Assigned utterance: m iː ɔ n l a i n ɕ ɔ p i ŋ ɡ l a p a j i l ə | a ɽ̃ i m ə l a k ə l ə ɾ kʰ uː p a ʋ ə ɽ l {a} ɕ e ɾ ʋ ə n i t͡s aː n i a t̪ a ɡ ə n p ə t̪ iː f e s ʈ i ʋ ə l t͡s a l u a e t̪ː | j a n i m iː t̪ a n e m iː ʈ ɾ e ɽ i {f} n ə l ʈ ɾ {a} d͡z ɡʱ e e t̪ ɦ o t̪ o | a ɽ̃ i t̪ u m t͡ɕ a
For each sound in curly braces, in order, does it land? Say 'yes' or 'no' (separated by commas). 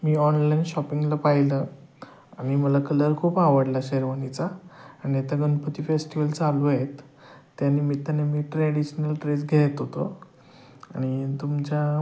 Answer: yes, no, no